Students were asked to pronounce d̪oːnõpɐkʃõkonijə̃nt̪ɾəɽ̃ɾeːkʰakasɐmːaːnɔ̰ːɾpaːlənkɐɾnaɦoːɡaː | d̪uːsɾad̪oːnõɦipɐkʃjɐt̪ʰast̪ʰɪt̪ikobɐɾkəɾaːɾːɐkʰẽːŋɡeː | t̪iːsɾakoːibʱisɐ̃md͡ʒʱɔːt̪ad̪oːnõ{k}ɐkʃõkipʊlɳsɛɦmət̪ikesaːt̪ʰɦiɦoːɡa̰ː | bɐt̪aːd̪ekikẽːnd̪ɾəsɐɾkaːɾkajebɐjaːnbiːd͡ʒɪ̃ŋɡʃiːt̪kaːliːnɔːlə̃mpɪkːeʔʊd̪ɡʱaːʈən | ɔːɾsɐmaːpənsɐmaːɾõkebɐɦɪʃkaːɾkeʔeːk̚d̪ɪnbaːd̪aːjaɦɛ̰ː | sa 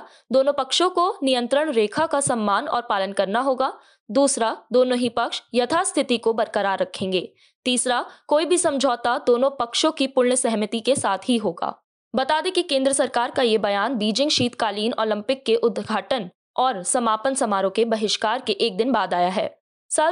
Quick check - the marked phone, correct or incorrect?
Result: incorrect